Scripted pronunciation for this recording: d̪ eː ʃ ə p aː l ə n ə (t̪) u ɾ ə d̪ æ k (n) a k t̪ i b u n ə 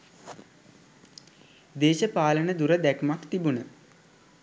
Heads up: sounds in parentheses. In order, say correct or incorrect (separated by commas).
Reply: incorrect, incorrect